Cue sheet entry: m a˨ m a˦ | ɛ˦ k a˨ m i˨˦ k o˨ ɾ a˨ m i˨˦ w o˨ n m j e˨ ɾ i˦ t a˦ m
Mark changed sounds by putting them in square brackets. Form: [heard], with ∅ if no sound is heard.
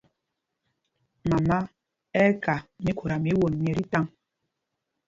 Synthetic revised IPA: m a˨ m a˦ | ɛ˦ k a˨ m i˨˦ k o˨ ɾ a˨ m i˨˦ w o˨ n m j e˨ ɾ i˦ t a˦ [ŋ]